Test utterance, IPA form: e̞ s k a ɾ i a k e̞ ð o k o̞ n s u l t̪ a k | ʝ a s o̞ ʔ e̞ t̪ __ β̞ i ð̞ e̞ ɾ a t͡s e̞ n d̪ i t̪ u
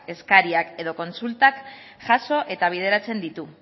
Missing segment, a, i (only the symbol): a